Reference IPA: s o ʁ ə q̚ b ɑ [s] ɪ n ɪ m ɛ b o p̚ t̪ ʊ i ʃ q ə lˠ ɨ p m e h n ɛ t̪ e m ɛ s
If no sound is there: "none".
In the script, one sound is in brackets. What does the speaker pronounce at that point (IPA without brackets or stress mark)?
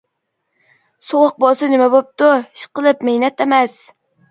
s